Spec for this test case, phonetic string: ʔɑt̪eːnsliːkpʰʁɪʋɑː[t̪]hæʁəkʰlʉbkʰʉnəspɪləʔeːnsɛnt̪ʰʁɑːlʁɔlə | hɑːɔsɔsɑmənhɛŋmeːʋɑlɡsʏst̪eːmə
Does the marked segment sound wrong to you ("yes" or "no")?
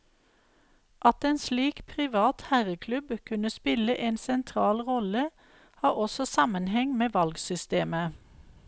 no